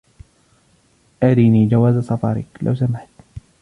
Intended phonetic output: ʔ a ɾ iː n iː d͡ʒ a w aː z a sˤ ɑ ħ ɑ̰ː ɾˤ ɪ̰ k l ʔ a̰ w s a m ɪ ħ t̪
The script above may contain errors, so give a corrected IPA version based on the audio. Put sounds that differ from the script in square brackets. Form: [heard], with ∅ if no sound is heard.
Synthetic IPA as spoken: ʔ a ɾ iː n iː d͡ʒ a w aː z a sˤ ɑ [f] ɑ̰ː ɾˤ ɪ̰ k l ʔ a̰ w s a m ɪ ħ t̪